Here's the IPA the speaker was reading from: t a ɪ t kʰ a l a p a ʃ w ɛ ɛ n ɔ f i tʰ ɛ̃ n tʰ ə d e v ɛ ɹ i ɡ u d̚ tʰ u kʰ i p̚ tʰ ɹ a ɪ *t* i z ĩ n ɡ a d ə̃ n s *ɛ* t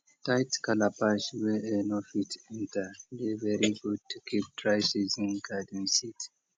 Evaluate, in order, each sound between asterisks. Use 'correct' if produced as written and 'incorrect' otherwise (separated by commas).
incorrect, incorrect